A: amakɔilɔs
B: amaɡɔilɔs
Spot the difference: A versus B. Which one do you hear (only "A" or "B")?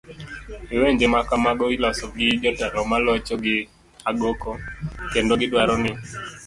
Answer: B